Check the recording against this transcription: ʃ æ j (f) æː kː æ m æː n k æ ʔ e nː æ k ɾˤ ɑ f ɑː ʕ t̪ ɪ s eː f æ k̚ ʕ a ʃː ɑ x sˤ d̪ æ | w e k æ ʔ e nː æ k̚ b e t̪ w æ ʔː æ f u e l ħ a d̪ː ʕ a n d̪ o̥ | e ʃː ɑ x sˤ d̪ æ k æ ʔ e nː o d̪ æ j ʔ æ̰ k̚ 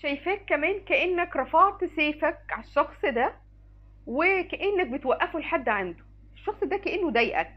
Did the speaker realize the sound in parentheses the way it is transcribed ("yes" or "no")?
yes